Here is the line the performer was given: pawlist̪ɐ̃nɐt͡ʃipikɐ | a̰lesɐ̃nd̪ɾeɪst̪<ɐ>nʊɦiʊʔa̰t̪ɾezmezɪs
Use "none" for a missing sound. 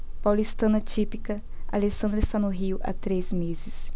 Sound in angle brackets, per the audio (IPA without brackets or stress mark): a